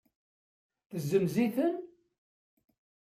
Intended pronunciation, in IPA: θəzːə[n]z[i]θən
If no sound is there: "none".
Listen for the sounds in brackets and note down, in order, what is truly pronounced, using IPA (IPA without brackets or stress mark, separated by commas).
m, i